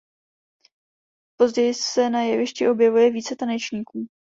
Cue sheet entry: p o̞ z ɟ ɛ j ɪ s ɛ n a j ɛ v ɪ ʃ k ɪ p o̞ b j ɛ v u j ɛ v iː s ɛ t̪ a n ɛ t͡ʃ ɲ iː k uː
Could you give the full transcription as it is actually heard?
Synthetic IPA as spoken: p o̞ z ɟ ɛ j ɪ s ɛ n a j ɛ v ɪ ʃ c ɪ ʔ o̞ b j ɛ v u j ɛ v iː t͡s ɛ t̪ a n ɛ t͡ʃ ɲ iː k uː